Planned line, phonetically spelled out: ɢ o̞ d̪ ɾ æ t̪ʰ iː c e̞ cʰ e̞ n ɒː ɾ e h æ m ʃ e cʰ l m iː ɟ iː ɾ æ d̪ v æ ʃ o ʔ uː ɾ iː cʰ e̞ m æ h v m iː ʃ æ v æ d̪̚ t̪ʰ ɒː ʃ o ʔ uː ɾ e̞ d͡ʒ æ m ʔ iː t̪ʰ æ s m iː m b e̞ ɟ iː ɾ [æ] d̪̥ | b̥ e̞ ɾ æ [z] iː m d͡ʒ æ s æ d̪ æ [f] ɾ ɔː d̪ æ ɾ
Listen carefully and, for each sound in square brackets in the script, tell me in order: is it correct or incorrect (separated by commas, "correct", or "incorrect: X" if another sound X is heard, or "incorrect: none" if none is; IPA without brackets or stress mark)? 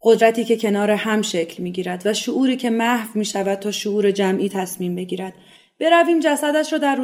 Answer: correct, incorrect: v, incorrect: ʃ